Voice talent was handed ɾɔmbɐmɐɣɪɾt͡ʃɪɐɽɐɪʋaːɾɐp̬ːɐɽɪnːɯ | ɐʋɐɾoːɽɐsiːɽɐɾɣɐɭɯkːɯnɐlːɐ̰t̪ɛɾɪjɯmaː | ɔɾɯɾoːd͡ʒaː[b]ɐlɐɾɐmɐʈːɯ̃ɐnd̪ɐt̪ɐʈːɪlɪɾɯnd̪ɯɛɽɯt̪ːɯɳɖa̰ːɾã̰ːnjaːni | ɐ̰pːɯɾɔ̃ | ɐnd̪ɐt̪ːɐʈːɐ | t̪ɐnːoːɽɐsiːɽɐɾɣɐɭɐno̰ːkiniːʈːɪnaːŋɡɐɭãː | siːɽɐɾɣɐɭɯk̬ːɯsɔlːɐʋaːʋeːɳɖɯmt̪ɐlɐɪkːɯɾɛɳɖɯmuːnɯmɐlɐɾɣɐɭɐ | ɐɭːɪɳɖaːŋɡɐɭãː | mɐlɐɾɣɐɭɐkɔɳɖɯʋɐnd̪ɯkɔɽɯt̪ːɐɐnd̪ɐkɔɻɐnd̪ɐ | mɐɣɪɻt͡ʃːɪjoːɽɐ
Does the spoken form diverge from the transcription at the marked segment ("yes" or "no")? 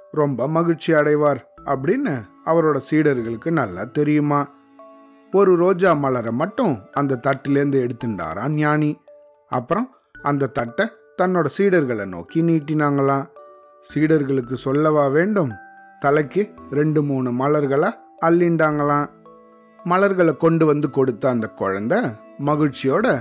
yes